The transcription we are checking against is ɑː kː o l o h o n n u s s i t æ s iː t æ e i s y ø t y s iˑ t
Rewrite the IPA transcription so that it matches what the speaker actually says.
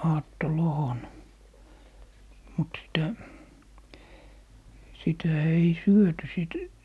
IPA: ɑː tː o l o h o n m u t s i t æ s i t æ e i s y ø t y s iˑ t